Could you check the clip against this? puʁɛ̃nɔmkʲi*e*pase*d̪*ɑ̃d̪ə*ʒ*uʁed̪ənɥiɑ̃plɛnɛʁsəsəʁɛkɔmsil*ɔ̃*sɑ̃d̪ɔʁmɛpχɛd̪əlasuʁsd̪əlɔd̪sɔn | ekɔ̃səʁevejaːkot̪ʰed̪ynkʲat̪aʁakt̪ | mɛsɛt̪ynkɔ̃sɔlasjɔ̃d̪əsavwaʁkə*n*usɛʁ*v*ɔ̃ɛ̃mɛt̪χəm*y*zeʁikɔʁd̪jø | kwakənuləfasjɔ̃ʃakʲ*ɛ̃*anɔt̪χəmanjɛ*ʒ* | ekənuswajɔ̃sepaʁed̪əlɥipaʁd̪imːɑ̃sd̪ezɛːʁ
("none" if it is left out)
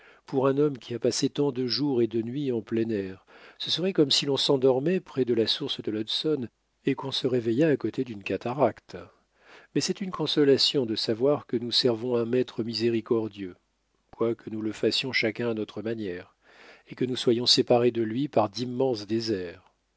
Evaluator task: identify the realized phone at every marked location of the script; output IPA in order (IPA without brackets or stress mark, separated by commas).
a, t̪, ʒ, ɔ̃, n, v, i, ɛ̃, ʁ